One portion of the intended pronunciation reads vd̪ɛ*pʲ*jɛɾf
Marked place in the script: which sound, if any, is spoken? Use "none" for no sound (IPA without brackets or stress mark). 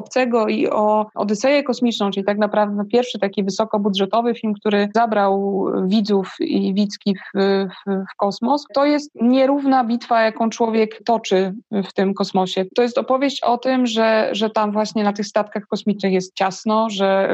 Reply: pʲ